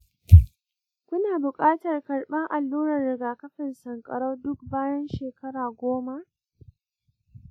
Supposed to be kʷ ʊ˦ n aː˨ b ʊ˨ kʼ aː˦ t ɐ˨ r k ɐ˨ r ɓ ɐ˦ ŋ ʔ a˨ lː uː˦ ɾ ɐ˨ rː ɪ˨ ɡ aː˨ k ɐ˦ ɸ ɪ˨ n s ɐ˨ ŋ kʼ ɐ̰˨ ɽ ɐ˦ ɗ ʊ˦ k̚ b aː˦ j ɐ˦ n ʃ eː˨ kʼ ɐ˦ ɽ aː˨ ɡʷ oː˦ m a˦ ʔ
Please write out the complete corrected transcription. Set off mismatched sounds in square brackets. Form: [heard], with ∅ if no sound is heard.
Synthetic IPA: kʷ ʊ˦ n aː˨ b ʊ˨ kʼ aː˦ t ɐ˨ r k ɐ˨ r ɓ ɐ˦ ŋ ʔ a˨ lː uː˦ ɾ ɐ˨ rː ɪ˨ ɡ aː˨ k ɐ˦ ɸ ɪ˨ n s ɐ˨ ŋ kʼ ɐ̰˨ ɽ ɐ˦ [d] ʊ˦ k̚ b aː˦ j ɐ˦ n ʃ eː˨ [k] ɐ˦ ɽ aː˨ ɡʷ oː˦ m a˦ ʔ